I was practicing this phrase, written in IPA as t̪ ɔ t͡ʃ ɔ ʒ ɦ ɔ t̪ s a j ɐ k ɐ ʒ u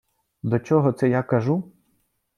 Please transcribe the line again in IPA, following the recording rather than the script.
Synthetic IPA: d̪ ɔ t͡ʃ ɔ ɦ ɔ t̪ s ɛ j a k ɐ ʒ u

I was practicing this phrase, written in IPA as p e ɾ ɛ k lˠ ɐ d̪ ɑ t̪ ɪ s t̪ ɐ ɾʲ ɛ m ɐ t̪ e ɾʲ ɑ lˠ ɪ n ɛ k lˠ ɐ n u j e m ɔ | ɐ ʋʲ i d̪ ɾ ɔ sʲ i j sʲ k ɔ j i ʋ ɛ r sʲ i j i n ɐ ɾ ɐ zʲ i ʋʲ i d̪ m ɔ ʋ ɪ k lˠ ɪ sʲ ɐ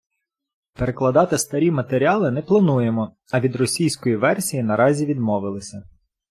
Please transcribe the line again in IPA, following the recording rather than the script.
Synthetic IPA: p e ɾ e k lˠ ɐ d̪ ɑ t̪ ɪ s t̪ ɐ ɾʲ i m ɐ t̪ e ɾʲ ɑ lˠ ɪ n ɛ p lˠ ɐ n u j e m ɔ | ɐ ʋʲ i d̪ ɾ ɔ sʲ i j sʲ k ɔ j i ʋ ɛ r sʲ i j i n ɐ ɾ ɑ zʲ i ʋʲ i d̪ m ɔ ʋ ɪ lˠ ɪ sʲ ɐ

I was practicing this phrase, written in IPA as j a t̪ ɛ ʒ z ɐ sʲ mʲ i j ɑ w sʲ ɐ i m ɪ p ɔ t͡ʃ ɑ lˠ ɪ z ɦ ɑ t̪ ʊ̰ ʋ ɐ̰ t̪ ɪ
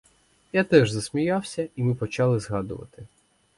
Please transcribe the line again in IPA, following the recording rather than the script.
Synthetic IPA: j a t̪ ɛ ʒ z ɐ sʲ mʲ i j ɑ w sʲ ɐ i m ɪ p ɔ t͡ʃ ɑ lˠ ɪ z ɦ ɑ d̪ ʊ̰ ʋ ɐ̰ t̪ ɪ

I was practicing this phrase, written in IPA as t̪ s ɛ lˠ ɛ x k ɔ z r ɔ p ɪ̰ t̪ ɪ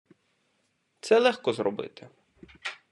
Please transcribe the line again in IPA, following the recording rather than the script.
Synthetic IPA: t̪ s ɛ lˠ ɛ x k ɔ z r ɔ b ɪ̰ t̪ ɪ

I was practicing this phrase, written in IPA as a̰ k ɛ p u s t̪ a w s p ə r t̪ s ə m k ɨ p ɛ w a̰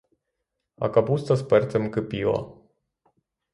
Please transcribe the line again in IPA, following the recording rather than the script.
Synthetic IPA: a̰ k a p u s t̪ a s p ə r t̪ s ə m k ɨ p i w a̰

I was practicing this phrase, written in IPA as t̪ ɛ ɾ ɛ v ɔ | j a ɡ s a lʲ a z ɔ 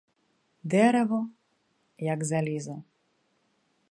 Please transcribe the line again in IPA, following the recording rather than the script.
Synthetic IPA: d̪ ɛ ɾ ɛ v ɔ | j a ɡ z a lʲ i z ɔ

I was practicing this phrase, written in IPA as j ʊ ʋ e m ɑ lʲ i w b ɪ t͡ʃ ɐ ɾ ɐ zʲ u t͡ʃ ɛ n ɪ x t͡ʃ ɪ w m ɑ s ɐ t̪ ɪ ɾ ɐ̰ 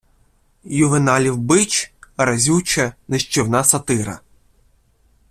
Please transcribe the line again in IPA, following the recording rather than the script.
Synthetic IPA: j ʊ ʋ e n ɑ lʲ i w b ɪ t͡ʃ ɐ ɾ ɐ zʲ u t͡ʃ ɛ n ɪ ʃ t͡ʃ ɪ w n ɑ s ɐ t̪ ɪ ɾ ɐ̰

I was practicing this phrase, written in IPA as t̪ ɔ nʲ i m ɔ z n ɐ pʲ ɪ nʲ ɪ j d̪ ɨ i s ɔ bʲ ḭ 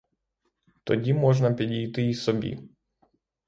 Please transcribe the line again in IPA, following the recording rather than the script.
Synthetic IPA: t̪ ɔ dʲ i m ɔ ʐ n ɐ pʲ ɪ dʲ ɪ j t̪ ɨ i s ɔ bʲ ḭ

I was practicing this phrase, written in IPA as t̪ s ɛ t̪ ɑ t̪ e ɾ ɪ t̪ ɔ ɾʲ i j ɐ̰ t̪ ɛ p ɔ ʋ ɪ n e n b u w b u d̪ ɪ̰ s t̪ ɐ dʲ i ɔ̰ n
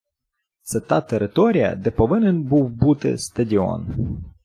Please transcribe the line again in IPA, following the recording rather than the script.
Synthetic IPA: t̪ s ɛ t̪ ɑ t̪ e ɾ ɪ t̪ ɔ ɾʲ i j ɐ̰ d̪ ɛ p ɔ ʋ ɪ n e n b u w b u t̪ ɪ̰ s t̪ ɐ dʲ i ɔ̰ n

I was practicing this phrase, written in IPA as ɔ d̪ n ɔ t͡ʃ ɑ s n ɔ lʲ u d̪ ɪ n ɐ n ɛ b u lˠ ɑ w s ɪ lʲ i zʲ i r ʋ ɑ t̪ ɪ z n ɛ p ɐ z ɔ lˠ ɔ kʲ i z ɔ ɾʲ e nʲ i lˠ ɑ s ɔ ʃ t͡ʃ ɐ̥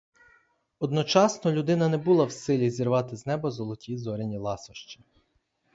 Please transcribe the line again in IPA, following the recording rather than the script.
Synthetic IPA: ɔ d̪ n ɔ t͡ʃ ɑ s n ɔ lʲ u d̪ ɪ n ɐ n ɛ b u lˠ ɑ w s ɪ lʲ i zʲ i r ʋ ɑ t̪ ɪ z n ɛ b ɐ z ɔ lˠ ɔ tʲ i z ɔ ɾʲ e nʲ i lˠ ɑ s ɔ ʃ t͡ʃ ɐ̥

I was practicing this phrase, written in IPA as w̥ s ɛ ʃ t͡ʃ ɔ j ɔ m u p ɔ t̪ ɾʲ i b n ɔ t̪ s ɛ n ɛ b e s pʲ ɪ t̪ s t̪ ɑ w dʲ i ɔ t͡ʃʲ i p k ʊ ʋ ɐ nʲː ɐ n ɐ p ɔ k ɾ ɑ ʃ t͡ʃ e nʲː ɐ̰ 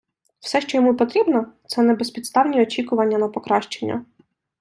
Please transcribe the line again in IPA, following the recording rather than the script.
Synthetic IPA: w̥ s ɛ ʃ t͡ʃ ɔ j ɔ m u p ɔ t̪ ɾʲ i b n ɔ t̪ s ɛ n ɛ b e s pʲ i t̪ s t̪ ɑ w nʲ i ɔ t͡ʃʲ i k ʊ ʋ ɐ nʲː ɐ n ɐ p ɔ k ɾ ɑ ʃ t͡ʃ e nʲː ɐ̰

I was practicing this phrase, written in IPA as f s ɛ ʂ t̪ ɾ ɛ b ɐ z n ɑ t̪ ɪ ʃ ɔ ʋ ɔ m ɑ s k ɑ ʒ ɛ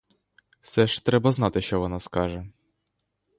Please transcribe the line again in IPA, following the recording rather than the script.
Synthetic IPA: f s ɛ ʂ t̪ ɾ ɛ b ɐ z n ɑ t̪ ɪ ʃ ɔ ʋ ɔ n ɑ s k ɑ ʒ ɛ

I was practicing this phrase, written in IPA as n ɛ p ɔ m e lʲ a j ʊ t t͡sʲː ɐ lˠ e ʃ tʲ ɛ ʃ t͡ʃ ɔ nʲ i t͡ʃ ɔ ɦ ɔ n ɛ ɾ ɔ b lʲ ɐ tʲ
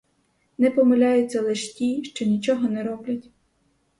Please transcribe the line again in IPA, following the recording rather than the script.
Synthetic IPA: n ɛ p ɔ m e lʲ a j ʊ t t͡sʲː ɐ lˠ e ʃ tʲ i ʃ t͡ʃ ɔ nʲ i t͡ʃ ɔ ɦ ɔ n ɛ ɾ ɔ b lʲ ɐ tʲ

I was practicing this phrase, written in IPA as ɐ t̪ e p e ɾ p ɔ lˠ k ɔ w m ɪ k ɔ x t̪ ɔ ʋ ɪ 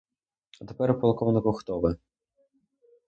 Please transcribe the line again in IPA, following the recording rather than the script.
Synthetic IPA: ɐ t̪ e p ɛ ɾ p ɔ lˠ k ɔ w n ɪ k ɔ x t̪ ɔ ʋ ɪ

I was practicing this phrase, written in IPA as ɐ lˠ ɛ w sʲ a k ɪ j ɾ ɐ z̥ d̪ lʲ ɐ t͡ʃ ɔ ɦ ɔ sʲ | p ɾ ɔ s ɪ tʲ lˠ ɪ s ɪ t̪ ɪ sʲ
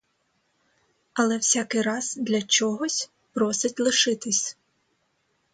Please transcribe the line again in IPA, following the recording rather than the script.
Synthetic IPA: ɐ lˠ ɛ w sʲ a k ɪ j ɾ ɑ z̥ d̪ lʲ ɐ t͡ʃ ɔ ɦ ɔ sʲ | p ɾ ɔ s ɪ tʲ lˠ ɪ ʃ ɪ t̪ ɪ sʲ

